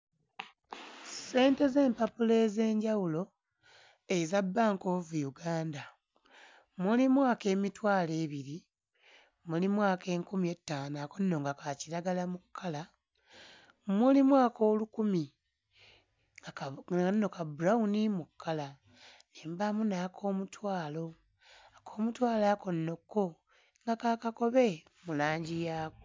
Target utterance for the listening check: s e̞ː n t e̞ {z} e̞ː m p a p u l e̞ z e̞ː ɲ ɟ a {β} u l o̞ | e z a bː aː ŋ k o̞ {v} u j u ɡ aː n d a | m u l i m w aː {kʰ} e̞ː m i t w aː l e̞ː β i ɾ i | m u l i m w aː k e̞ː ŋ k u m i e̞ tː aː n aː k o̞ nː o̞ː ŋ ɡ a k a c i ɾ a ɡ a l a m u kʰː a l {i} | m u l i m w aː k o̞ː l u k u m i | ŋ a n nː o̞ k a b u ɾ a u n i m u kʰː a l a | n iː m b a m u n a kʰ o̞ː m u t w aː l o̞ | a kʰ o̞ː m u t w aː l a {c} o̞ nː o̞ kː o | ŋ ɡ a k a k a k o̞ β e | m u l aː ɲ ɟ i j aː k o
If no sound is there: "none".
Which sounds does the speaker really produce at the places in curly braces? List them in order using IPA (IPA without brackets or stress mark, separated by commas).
z, w, v, k, a, k